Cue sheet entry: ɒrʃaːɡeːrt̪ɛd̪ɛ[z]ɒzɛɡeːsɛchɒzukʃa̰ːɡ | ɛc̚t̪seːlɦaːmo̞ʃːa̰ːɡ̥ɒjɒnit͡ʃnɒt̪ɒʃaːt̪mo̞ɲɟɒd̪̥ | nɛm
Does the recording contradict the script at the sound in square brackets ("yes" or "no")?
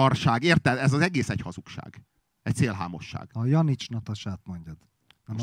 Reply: no